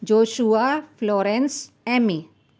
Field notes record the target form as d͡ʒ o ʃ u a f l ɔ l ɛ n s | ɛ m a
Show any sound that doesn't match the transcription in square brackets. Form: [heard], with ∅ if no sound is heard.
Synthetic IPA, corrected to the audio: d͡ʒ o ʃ u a f l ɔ [ɾ] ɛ n s | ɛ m [i]